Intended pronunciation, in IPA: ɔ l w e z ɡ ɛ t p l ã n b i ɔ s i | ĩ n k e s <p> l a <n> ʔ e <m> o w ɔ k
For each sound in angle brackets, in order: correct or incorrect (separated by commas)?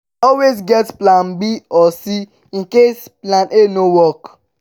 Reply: correct, correct, incorrect